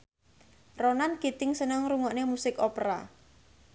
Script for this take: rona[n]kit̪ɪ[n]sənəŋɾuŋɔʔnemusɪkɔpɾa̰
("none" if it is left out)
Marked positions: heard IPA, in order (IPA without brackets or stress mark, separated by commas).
n, ŋ